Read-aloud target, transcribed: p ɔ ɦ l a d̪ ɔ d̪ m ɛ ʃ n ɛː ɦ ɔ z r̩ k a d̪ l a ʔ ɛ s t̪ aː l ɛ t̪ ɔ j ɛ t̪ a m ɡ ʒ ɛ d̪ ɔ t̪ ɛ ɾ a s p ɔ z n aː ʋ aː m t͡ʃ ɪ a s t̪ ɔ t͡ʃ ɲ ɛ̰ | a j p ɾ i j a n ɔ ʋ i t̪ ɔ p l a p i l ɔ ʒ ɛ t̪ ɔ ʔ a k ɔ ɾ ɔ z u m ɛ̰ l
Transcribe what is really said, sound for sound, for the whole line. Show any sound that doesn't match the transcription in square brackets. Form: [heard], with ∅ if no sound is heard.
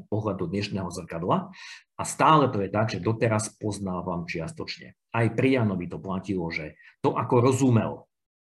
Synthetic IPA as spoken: p ɔ ɦ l a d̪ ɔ d̪ [ɲ] ɛ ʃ n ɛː ɦ ɔ z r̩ k a d̪ l a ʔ [a] s t̪ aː l ɛ t̪ ɔ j ɛ t̪ a [∅] ɡ ʒ ɛ d̪ ɔ t̪ ɛ ɾ a s p ɔ z n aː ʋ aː m t͡ʃ ɪ a s t̪ ɔ t͡ʃ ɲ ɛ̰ | a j p ɾ i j a n ɔ ʋ i t̪ ɔ p l a [c] i l ɔ ʒ ɛ t̪ ɔ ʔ a k ɔ ɾ ɔ z u m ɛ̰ l